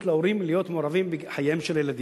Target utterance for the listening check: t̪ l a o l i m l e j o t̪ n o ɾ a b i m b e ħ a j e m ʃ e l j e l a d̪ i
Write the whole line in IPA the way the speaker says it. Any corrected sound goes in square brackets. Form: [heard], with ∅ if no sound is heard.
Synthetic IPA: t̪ l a o [ɾ] i m l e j o t̪ [m] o ɾ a [v] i m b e ħ a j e m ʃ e l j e l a d̪ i